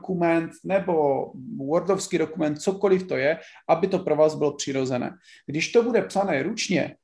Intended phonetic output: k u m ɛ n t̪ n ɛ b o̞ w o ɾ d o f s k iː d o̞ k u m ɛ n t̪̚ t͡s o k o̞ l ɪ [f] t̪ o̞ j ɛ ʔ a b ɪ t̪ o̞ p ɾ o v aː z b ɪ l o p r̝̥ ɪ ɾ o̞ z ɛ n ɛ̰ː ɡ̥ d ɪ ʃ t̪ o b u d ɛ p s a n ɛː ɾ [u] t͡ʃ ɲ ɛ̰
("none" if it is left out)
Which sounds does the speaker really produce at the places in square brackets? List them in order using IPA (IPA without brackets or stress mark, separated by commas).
f, u